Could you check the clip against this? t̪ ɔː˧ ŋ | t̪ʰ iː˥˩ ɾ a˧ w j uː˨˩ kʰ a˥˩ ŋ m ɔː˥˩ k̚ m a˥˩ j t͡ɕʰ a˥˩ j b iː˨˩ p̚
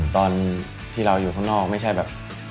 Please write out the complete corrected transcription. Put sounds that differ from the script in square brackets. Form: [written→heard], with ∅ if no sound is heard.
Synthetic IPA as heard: t̪ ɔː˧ [ŋ→n] | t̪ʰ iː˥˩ ɾ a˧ w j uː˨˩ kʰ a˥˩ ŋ [m→n] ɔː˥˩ k̚ m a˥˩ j t͡ɕʰ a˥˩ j b [iː˨˩→ɛː˨˩] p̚